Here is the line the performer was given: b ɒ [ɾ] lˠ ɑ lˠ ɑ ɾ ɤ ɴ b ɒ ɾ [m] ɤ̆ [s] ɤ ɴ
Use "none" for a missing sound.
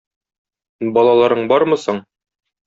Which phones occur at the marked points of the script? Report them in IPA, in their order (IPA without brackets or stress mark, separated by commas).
none, m, s